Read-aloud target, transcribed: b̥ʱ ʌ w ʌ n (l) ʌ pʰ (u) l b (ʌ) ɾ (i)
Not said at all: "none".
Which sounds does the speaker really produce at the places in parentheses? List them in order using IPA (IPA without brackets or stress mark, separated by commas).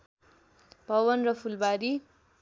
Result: r, u, a, i